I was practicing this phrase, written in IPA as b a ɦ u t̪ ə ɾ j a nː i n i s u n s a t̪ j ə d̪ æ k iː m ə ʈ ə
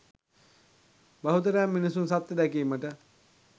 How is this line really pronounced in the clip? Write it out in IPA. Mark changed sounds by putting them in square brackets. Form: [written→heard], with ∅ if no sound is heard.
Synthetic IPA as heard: b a ɦ u t̪ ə ɾ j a [nː→mː] i n i s u n s a t̪ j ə d̪ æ k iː m ə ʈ ə